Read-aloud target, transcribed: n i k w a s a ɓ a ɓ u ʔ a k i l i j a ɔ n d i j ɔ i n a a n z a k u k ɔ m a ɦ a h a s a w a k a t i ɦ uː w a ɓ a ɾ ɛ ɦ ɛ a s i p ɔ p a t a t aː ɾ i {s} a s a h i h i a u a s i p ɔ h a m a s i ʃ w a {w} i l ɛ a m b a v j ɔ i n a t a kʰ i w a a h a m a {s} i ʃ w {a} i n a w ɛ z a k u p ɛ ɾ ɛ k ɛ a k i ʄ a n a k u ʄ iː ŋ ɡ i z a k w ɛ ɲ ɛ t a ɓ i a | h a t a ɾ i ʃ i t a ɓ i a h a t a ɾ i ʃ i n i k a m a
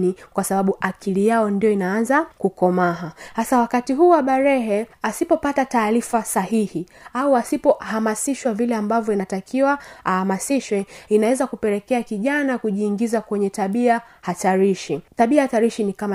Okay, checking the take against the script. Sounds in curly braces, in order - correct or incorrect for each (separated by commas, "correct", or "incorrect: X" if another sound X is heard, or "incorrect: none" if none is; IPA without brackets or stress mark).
incorrect: f, incorrect: v, correct, incorrect: ɛ